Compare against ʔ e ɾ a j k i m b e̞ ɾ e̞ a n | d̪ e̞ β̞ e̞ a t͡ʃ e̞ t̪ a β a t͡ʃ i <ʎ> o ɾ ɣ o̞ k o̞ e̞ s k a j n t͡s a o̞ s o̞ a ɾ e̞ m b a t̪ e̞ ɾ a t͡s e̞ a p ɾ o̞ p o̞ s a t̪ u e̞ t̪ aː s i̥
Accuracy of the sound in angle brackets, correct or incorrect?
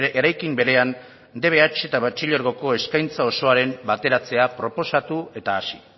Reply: correct